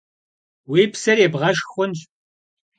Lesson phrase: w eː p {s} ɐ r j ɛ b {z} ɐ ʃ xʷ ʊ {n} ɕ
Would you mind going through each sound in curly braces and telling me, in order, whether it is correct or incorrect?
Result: correct, incorrect: ʁ, correct

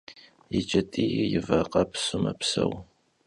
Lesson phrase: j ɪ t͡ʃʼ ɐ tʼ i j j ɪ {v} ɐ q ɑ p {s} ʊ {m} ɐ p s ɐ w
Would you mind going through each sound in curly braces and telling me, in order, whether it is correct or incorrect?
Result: correct, correct, correct

